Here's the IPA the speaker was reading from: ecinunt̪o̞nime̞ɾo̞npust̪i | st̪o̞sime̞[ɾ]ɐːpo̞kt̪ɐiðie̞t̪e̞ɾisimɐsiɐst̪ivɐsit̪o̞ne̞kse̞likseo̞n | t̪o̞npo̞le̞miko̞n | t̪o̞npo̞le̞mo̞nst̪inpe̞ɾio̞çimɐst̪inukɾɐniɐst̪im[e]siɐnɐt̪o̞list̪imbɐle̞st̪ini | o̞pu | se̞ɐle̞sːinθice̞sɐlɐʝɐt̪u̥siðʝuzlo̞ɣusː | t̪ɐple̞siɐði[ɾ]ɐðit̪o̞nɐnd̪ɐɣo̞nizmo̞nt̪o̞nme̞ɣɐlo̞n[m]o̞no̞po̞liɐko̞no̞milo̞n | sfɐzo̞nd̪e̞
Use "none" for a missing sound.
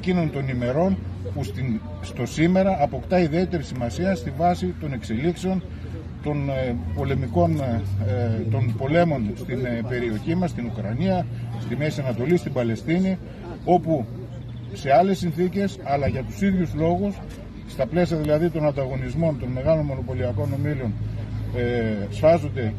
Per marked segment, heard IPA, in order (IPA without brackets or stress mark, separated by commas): ɾ, e, l, m